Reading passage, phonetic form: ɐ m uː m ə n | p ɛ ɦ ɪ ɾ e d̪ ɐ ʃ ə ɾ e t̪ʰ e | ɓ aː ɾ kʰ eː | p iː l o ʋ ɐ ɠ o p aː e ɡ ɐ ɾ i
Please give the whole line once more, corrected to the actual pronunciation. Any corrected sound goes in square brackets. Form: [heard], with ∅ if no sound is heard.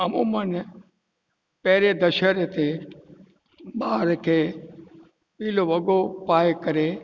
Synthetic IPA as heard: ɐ m uː m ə n | p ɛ ɦ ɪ ɾ e d̪ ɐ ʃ ə ɾ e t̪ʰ e | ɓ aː ɾ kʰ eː | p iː l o ʋ ɐ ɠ o p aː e [k] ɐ ɾ [e]